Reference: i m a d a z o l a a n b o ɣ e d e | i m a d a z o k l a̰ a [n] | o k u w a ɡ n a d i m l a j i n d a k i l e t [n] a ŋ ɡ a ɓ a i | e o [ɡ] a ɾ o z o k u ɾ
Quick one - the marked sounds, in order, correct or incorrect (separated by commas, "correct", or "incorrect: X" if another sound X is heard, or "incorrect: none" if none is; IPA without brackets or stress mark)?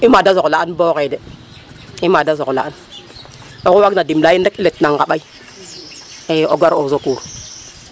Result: correct, correct, correct